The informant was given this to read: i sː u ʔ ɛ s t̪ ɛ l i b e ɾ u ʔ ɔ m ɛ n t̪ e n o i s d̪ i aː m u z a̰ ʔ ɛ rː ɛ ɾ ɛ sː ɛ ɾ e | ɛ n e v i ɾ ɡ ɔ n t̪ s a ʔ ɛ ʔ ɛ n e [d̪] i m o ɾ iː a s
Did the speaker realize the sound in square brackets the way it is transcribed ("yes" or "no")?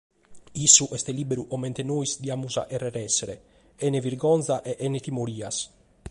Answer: no